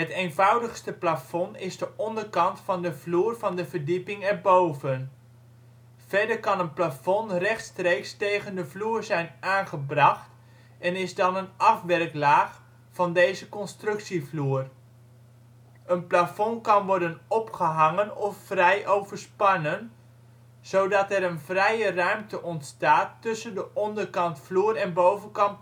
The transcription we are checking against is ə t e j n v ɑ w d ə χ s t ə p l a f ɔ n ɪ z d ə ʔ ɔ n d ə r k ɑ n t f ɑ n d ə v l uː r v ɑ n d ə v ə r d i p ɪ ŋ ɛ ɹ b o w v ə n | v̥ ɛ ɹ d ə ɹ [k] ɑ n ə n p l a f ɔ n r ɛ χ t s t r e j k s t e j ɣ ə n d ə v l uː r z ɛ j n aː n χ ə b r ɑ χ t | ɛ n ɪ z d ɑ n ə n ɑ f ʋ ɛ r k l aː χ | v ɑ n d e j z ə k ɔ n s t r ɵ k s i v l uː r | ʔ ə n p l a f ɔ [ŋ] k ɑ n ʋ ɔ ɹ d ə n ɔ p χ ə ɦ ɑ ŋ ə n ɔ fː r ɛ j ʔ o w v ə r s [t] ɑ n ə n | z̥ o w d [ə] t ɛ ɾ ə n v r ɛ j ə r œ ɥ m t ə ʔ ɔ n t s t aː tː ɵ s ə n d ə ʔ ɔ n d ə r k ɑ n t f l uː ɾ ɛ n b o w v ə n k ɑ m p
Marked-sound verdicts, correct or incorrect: correct, incorrect: n, incorrect: p, incorrect: ɑ

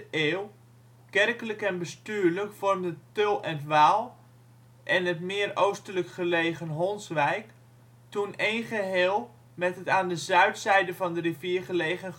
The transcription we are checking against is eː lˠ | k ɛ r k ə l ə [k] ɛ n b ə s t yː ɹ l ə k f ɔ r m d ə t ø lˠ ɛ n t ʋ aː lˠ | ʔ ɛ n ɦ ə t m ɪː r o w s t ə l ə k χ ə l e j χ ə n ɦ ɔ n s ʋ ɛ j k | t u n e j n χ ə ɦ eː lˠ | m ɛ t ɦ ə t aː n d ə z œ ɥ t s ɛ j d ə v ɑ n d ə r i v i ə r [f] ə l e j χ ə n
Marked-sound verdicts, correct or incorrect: correct, incorrect: χ

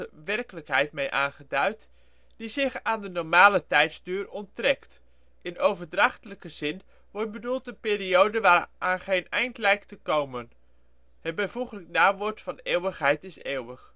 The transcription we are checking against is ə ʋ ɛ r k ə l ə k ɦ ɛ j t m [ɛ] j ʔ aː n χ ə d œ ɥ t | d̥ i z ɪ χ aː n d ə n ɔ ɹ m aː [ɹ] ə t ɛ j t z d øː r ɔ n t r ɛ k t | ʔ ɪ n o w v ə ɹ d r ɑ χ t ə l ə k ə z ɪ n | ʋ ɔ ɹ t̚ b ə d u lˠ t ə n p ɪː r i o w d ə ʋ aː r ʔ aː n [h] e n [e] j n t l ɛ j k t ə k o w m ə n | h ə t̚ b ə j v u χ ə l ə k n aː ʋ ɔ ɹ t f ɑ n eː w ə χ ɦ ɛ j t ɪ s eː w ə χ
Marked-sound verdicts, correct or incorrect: incorrect: e, incorrect: l, incorrect: χ, incorrect: ɛ

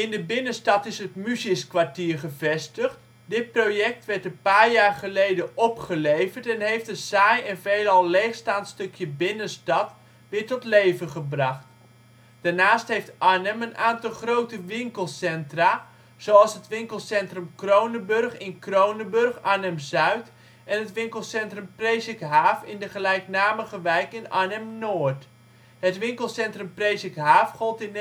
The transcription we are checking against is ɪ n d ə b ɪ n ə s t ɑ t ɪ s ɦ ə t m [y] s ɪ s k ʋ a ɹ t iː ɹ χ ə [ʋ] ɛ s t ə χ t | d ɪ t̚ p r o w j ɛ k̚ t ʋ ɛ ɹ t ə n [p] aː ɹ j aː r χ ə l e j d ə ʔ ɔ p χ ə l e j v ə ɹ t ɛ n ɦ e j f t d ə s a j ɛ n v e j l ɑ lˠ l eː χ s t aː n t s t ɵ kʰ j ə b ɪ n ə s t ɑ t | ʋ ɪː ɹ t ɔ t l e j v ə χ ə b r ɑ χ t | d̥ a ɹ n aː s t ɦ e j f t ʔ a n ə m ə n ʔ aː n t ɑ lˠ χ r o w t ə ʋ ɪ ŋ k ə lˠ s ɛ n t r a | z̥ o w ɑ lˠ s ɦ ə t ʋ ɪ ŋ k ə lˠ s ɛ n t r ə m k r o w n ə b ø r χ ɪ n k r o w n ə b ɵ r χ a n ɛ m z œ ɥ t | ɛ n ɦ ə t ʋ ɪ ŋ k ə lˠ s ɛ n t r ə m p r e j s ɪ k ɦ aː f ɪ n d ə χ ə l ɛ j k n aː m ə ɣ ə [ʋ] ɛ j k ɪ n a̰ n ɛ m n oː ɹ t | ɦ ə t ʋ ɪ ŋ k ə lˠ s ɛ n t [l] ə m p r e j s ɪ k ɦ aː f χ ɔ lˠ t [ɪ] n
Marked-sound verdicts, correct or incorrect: correct, incorrect: v, correct, correct, incorrect: r, correct

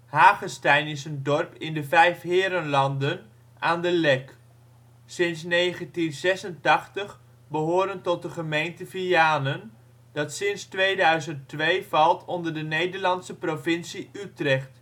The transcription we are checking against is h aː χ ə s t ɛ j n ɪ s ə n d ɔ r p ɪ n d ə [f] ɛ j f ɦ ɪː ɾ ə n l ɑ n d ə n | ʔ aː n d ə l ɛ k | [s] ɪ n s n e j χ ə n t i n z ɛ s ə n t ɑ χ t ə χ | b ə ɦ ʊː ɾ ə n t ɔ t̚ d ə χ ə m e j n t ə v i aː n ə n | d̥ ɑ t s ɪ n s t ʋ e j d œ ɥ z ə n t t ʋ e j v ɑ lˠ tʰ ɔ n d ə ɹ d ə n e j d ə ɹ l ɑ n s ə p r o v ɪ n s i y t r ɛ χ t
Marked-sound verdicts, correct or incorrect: incorrect: v, correct

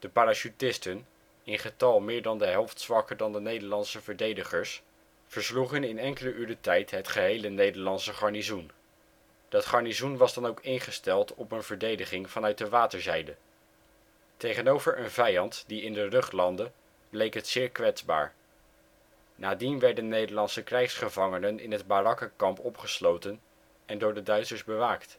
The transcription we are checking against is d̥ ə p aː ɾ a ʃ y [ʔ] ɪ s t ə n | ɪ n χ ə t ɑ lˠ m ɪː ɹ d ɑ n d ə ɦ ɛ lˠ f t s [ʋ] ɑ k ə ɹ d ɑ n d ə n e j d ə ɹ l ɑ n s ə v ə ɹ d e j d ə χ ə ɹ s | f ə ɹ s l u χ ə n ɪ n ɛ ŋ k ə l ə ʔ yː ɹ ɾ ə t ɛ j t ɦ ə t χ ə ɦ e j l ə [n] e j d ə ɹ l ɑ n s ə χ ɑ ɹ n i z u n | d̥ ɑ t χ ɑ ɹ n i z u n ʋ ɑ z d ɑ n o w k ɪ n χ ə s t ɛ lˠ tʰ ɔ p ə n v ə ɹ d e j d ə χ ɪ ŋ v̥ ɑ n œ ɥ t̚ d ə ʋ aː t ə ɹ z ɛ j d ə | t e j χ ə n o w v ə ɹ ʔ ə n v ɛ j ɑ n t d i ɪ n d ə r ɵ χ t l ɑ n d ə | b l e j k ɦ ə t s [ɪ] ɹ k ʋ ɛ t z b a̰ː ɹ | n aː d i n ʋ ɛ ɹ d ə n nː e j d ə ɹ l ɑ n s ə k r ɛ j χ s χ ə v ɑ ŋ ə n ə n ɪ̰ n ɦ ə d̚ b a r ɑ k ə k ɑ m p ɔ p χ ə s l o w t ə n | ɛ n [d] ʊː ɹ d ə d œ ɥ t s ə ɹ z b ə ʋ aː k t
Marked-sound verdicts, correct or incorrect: incorrect: t, correct, correct, incorrect: ɪː, correct

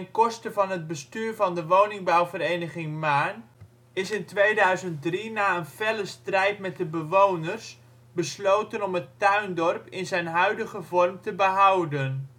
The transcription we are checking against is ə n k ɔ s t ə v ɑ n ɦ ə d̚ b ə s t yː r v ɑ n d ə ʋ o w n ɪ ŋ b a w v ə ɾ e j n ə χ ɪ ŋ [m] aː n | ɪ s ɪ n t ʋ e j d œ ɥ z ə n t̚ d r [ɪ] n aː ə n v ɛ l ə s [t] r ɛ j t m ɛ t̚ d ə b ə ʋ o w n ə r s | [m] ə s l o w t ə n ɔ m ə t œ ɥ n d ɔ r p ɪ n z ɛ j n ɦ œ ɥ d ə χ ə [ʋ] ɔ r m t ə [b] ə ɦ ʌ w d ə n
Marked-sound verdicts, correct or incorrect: correct, incorrect: i, correct, incorrect: b, incorrect: v, correct

